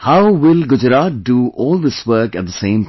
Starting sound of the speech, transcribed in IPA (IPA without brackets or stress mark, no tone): h